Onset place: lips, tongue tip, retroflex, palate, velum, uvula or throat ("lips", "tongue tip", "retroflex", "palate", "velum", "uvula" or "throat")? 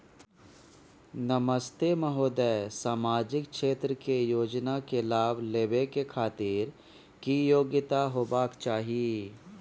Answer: tongue tip